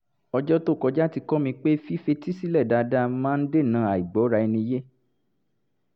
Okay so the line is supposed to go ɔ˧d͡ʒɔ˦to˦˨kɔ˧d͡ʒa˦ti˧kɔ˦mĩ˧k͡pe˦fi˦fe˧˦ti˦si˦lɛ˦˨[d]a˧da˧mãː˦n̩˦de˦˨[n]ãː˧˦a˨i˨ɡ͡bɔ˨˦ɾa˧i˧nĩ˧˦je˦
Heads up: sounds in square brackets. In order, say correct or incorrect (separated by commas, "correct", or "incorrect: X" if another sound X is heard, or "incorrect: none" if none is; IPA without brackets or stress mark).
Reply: correct, correct